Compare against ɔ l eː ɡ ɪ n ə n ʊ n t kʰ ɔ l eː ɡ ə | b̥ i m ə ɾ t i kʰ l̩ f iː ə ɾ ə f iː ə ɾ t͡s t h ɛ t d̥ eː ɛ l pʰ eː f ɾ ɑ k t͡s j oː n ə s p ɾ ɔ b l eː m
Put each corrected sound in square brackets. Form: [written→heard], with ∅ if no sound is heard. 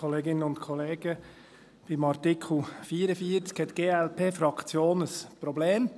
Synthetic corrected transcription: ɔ l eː ɡ ɪ n ə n ʊ n t kʰ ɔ l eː ɡ ə | b̥ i m [ə→ɑ] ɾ t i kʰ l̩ f iː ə ɾ ə f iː ə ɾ t͡s [t→k] h ɛ t [d̥→ɡ̥] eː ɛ l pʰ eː f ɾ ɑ k t͡s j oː n ə s p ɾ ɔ b l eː m